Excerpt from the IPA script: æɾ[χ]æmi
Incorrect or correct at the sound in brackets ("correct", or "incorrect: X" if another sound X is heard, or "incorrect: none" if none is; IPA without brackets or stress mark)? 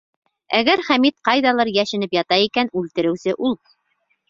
correct